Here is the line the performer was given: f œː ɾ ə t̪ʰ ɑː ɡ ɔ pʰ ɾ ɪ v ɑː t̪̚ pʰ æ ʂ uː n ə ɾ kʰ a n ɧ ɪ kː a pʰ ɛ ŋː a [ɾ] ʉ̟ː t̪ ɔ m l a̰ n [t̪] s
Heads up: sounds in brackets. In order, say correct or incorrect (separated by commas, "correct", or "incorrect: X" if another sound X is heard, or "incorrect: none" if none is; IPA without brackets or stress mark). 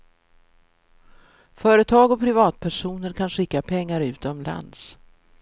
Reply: correct, incorrect: d̪